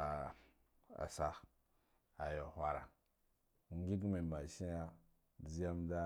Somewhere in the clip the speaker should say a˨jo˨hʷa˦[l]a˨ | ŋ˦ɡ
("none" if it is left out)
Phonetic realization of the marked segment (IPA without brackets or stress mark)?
ɾ